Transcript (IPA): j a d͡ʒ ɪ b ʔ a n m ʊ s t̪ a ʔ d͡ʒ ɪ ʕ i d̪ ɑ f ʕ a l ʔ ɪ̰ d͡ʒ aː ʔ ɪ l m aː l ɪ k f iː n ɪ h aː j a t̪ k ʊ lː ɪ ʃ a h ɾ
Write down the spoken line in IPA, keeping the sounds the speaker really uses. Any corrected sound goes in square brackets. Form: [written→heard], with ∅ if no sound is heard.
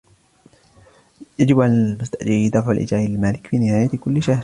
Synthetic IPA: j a d͡ʒ ɪ b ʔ a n m ʊ s t̪ a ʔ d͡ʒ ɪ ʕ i d̪ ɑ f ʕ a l ʔ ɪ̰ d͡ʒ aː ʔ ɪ l m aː l ɪ k f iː n ɪ h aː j a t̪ k ʊ lː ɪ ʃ a h ɾ